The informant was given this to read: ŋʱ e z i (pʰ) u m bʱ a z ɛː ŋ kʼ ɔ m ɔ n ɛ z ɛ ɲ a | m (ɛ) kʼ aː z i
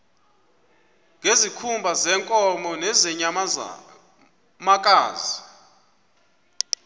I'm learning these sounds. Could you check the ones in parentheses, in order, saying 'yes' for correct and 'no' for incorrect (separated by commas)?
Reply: no, no